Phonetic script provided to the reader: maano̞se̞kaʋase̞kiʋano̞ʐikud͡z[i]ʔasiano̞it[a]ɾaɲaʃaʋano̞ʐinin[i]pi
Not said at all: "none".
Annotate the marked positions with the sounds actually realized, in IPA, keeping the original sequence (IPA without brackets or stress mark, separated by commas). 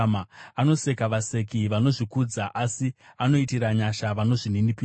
a, i, i